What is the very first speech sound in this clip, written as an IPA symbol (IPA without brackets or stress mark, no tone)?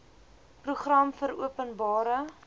p